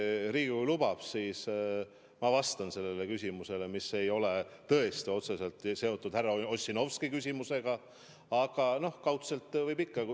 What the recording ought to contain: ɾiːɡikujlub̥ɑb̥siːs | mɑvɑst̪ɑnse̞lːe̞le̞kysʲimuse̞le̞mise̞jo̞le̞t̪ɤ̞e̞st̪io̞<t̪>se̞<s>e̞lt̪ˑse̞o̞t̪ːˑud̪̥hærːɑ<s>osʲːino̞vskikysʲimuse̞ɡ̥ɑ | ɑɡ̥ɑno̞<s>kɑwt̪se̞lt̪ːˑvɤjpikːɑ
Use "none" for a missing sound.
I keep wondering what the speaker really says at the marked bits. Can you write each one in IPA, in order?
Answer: t̪, s, none, h

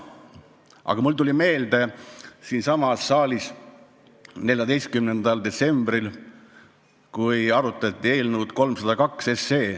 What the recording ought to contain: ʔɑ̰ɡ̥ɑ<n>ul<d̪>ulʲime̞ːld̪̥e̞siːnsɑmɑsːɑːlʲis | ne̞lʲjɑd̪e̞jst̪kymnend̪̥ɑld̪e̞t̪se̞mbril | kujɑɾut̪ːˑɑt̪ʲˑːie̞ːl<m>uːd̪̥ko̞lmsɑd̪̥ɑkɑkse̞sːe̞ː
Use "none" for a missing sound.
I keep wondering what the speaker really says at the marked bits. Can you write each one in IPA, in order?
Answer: m, t̪, n

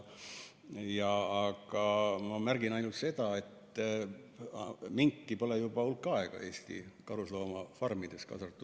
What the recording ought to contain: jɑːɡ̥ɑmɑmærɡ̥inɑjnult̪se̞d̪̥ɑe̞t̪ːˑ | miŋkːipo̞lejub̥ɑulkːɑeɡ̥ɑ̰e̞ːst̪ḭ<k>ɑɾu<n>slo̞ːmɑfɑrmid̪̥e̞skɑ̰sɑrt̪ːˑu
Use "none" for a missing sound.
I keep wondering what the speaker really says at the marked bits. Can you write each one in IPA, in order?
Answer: k, none

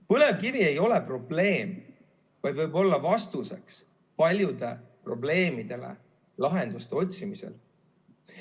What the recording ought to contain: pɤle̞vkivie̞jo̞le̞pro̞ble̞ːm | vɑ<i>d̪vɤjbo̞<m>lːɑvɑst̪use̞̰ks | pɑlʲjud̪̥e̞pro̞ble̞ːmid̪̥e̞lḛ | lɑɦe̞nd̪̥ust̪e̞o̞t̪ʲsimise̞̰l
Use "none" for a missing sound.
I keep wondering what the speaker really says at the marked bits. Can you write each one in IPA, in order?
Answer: j, none

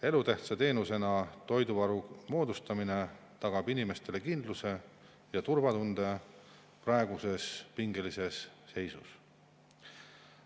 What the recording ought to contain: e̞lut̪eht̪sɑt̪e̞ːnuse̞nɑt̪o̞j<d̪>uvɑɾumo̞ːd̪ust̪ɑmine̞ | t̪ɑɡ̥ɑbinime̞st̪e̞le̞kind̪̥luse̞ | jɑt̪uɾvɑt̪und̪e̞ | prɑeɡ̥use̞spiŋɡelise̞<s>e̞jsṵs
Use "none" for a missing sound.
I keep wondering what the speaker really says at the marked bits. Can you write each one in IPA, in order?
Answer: d̪, sː

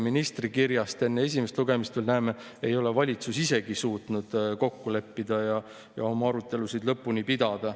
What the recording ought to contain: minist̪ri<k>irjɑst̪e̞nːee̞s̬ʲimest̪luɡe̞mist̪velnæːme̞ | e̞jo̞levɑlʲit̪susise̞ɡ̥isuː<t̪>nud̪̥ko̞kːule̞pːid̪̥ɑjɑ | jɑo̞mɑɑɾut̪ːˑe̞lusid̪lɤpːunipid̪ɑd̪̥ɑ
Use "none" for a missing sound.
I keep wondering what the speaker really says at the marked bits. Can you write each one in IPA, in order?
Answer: k, t̪

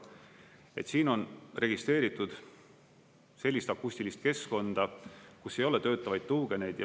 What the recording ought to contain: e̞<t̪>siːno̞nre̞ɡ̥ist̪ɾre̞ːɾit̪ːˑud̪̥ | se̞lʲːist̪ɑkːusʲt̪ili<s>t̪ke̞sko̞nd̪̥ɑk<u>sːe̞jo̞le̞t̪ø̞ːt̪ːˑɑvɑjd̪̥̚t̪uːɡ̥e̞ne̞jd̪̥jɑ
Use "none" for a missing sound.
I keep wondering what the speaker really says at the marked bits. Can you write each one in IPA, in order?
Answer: t̪, s, u

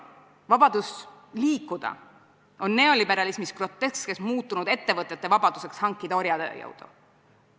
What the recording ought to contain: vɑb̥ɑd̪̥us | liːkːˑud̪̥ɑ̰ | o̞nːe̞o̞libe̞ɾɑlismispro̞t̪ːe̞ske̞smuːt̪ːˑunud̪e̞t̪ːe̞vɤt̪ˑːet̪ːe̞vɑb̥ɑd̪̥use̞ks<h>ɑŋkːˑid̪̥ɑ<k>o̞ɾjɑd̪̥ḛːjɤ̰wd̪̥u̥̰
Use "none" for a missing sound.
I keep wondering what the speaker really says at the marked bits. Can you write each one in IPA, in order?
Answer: h, none

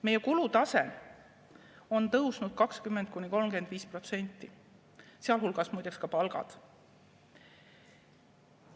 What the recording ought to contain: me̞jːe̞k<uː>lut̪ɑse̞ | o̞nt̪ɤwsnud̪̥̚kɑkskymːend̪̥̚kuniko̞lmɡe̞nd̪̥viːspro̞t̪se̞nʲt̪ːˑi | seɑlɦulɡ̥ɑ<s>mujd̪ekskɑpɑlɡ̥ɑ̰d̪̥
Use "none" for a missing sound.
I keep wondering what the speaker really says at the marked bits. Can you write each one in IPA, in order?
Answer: u, s

